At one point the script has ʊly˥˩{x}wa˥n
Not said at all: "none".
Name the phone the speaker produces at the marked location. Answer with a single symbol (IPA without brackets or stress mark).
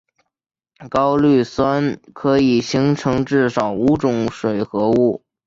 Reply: s